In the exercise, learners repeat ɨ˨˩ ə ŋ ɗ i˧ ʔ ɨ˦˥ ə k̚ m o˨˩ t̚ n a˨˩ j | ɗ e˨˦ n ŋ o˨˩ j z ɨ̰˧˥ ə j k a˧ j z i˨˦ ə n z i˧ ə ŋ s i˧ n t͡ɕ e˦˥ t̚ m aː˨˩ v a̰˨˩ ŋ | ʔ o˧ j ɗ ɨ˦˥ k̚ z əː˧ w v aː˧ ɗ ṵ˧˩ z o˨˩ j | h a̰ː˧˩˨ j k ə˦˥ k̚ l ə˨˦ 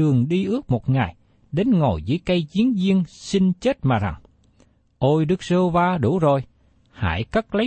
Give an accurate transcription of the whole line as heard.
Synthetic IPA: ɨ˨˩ ə ŋ ɗ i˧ ʔ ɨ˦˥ ə k̚ m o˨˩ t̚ ŋ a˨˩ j | ɗ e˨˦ n ŋ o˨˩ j z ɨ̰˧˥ ə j k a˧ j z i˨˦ ə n z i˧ ə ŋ s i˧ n t͡ɕ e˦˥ t̚ m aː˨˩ z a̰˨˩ ŋ | ʔ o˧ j ɗ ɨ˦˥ k̚ z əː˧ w v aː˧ ɗ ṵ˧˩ z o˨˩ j | h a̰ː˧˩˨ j k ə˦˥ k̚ l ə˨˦